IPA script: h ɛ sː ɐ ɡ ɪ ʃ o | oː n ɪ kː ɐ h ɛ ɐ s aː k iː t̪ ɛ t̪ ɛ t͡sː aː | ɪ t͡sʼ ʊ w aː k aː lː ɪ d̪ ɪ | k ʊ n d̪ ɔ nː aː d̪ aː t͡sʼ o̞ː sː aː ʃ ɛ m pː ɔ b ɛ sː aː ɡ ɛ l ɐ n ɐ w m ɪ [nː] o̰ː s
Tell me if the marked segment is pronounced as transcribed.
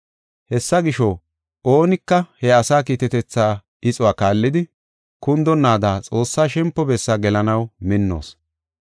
yes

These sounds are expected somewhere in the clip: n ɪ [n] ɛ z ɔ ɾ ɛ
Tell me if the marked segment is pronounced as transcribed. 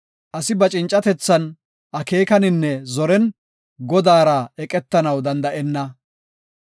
no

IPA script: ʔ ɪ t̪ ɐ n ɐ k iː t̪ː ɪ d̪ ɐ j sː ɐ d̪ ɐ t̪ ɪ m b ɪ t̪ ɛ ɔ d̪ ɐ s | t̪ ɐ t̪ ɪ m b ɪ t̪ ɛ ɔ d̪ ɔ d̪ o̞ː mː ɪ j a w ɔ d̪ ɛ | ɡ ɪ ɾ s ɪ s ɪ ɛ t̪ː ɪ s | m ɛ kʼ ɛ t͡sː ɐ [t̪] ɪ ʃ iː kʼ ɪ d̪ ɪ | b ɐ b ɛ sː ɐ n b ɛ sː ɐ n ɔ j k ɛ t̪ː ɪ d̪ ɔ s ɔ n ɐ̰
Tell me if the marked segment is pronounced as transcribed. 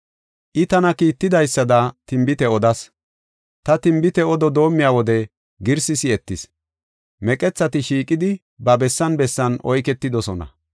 yes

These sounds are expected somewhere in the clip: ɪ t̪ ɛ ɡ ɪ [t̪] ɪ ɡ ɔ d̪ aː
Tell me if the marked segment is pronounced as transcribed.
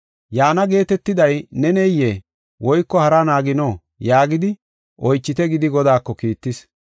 no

